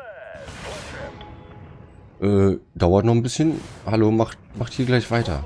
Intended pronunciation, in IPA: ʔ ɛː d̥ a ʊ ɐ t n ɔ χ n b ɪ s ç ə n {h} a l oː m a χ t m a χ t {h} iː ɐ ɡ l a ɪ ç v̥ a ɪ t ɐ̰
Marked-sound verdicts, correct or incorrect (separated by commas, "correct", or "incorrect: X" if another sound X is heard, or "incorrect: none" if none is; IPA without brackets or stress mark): correct, correct